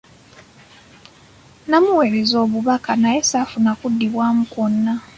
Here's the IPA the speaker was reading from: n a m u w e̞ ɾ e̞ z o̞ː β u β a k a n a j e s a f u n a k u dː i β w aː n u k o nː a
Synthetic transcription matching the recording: n a m u w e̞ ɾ e̞ z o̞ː β u β a k a n a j e s a f u n a k u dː i β w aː m u k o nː a